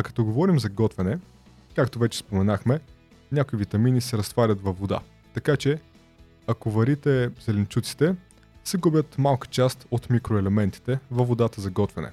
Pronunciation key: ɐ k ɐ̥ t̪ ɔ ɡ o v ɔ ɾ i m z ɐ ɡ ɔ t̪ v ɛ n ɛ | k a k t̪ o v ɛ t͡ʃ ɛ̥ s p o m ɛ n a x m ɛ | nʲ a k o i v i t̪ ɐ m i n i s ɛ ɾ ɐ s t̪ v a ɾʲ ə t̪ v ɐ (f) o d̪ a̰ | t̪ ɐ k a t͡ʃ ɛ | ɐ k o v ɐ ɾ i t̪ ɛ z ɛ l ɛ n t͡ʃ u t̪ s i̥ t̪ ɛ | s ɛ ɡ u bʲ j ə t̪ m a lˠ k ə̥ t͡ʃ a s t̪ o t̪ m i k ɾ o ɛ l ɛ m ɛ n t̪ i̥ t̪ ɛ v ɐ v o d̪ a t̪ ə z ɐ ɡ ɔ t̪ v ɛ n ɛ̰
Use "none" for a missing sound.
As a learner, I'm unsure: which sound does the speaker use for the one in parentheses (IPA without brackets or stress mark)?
v